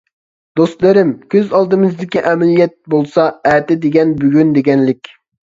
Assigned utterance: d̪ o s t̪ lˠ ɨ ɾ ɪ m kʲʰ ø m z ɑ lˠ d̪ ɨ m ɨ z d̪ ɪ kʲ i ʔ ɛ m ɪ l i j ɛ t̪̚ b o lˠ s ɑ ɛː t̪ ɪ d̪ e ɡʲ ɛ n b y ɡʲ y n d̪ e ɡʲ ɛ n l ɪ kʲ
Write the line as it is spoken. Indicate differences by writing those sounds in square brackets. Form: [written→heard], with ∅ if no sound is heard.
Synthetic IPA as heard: d̪ o s t̪ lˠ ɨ ɾ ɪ m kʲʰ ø [m→∅] z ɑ lˠ d̪ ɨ m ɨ z d̪ ɪ kʲ i ʔ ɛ m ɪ l i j ɛ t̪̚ b o lˠ s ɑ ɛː t̪ ɪ d̪ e ɡʲ ɛ n b y ɡʲ y n d̪ e ɡʲ ɛ n l ɪ kʲ